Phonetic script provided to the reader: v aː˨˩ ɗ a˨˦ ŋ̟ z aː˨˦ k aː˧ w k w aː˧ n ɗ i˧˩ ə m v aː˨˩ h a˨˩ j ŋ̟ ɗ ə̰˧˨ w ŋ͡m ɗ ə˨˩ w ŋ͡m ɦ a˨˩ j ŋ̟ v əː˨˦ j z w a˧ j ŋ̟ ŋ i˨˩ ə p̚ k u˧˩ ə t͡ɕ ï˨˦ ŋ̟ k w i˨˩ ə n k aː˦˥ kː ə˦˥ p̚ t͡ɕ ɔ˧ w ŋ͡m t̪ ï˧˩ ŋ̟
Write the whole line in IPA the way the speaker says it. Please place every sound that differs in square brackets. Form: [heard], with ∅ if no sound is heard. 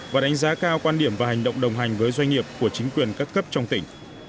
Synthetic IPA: v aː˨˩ ɗ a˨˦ ŋ̟ z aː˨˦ k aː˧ w k w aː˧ n ɗ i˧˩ ə m v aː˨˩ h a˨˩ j ŋ̟ ɗ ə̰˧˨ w ŋ͡m ɗ ə˨˩ w ŋ͡m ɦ a˨˩ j ŋ̟ v əː˨˦ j z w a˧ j ŋ̟ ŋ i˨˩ ə p̚ k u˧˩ ə t͡ɕ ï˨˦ ŋ̟ k w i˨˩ ə n k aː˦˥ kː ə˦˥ p̚ t͡ɕ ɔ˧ w ŋ͡m t̪ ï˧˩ ŋ̟